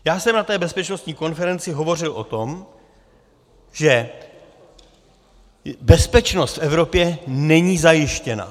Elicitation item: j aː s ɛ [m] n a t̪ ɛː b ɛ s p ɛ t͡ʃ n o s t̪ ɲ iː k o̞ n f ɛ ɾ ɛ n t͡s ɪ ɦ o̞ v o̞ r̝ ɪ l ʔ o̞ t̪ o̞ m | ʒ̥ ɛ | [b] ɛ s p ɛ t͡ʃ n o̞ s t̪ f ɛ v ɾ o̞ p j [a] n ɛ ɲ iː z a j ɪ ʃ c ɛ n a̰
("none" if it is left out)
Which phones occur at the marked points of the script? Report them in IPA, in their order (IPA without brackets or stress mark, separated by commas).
m, b, ɛ